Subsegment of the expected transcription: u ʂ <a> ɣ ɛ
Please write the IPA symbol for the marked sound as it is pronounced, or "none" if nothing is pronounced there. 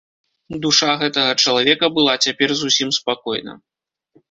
a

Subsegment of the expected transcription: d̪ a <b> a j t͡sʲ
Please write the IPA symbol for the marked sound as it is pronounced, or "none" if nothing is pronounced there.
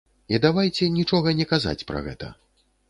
v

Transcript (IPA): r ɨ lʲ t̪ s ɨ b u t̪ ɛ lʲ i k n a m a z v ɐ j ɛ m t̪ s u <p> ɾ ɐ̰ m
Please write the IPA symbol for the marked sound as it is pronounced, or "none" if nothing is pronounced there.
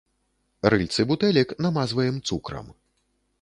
k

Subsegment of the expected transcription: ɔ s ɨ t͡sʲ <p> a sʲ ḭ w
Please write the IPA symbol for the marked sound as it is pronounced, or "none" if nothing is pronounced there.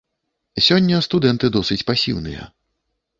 p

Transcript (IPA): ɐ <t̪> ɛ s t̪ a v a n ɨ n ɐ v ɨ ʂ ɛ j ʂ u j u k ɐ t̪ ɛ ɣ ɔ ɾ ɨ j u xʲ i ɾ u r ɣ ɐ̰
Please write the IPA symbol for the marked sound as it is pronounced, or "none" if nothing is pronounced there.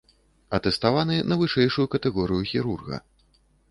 t̪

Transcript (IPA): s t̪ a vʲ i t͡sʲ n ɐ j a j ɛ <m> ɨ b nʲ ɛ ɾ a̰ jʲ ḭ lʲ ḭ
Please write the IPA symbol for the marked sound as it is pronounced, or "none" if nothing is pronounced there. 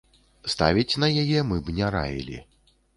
m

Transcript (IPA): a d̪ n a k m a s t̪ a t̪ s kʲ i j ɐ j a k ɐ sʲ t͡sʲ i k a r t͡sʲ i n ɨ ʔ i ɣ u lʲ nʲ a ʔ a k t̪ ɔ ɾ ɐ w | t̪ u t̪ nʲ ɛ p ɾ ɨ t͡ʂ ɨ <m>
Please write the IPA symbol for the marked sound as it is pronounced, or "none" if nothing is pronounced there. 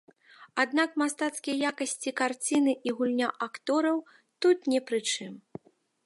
m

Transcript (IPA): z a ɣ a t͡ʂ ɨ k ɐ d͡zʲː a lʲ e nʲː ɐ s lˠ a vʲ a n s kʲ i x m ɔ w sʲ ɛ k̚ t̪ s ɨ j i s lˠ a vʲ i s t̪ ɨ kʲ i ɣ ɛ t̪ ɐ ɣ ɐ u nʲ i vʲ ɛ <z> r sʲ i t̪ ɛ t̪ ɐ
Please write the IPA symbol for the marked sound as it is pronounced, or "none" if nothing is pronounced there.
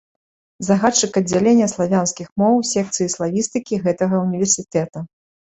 none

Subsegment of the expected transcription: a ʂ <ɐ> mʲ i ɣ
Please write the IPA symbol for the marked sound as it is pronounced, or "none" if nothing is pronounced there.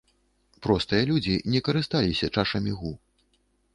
ɐ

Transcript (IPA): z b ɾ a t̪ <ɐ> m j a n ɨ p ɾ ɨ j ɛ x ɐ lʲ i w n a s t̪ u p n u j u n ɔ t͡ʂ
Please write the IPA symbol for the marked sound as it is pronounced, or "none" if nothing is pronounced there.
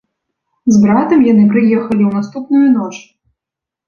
ɐ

